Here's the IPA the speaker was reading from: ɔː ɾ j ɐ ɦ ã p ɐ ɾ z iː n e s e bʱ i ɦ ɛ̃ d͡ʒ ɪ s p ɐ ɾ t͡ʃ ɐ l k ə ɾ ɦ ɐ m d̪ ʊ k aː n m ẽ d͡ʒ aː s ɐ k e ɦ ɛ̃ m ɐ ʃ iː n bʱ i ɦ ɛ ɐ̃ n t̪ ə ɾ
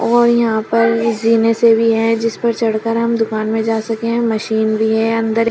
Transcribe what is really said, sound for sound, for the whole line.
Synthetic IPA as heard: ɔː ɾ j ɐ ɦ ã p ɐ ɾ z iː n e s e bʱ i ɦ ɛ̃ d͡ʒ ɪ s p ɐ ɾ t͡ʃ ɐ ɽ k ə ɾ ɦ ɐ m d̪ ʊ k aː n m ẽ d͡ʒ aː s ɐ k e ɦ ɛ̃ m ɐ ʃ iː n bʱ i ɦ ɛ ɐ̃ n d̪ ə ɾ